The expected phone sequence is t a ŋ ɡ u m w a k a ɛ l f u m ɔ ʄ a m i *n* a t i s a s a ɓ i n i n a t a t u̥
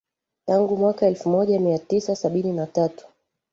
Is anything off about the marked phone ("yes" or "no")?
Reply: yes